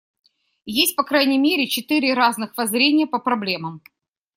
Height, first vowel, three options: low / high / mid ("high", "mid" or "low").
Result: mid